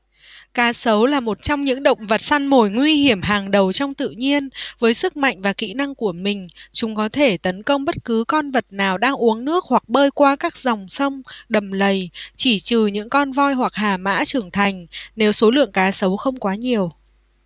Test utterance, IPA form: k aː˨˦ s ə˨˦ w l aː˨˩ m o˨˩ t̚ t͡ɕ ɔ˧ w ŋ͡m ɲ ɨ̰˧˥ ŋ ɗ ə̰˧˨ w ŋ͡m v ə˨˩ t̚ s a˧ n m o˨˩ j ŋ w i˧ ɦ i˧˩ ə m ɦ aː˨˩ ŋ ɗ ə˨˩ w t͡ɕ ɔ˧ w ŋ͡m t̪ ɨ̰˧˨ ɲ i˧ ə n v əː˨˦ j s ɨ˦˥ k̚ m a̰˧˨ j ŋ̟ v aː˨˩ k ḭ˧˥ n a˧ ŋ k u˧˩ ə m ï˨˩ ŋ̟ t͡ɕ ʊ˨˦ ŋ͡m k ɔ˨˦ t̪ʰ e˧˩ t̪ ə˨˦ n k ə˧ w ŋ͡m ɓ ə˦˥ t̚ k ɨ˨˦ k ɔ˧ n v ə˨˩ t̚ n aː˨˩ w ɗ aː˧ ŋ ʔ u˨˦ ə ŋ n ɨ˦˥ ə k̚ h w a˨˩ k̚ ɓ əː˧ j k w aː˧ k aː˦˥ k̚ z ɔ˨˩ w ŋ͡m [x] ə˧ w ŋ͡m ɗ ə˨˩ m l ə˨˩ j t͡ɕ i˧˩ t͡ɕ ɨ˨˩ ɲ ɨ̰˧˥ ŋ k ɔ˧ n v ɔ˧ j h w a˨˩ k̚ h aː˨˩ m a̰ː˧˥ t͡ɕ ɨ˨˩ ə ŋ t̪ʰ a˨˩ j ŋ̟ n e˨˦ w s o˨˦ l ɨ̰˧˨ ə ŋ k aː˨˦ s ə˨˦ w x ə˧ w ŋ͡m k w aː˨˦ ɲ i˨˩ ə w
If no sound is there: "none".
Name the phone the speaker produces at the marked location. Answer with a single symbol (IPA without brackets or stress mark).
s